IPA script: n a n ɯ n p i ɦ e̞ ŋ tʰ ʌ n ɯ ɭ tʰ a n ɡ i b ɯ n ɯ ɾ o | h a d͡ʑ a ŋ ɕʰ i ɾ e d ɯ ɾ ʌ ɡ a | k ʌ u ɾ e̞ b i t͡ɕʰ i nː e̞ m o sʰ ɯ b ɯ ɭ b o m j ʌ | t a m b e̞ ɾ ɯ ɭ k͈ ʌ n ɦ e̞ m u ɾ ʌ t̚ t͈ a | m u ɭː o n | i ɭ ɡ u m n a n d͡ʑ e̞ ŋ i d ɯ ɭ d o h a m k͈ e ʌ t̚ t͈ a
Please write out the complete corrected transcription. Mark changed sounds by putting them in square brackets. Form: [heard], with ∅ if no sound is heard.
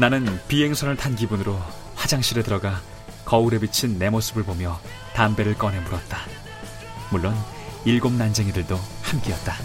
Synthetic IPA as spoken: n a n ɯ n p i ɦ e̞ ŋ [sʰ] ʌ n ɯ ɭ tʰ a n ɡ i b [u] n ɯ ɾ o | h a d͡ʑ a ŋ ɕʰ i ɾ e d ɯ ɾ ʌ ɡ a | k ʌ u ɾ e̞ b i t͡ɕʰ i nː e̞ m o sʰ ɯ b ɯ ɭ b o m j ʌ | t a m b e̞ ɾ ɯ ɭ k͈ ʌ n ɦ e̞ m u ɾ ʌ t̚ t͈ a | m u ɭː o n | i ɭ ɡ [o] m n a n d͡ʑ e̞ ŋ i d ɯ ɭ d o h a m k͈ e ʌ t̚ t͈ a